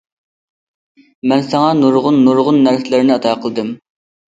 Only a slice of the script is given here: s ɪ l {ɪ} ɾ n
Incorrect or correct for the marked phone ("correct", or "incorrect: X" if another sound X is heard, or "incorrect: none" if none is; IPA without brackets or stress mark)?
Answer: correct